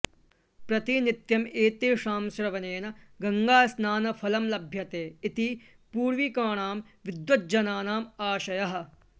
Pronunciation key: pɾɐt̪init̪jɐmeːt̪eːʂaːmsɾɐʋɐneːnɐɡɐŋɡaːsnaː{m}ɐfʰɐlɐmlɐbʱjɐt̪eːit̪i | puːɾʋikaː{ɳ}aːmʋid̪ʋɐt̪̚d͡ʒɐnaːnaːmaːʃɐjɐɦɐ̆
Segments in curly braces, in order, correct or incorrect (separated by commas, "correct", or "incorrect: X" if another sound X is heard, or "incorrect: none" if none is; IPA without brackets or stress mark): incorrect: n, correct